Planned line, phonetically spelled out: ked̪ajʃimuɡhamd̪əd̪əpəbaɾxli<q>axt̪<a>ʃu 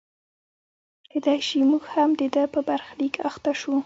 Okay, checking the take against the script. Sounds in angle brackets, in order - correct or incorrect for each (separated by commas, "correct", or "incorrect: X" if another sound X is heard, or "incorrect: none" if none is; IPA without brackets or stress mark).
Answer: incorrect: k, correct